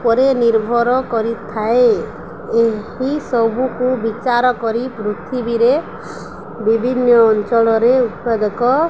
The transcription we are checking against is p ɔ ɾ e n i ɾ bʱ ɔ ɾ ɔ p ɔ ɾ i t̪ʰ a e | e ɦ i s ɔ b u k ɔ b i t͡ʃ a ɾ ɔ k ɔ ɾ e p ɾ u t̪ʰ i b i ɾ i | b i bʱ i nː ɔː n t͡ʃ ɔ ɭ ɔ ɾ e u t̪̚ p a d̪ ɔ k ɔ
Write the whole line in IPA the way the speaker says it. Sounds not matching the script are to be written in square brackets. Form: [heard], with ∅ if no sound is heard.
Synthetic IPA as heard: p ɔ ɾ e n i ɾ bʱ ɔ ɾ ɔ [k] ɔ ɾ i t̪ʰ a e | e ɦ i s ɔ b u k [u] b i t͡ʃ a ɾ ɔ k ɔ ɾ [i] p ɾ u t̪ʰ i b i ɾ [e] | b i bʱ i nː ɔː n t͡ʃ ɔ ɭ ɔ ɾ e u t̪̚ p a d̪ ɔ k ɔ